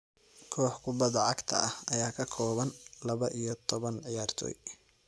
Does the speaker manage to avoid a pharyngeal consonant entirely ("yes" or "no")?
no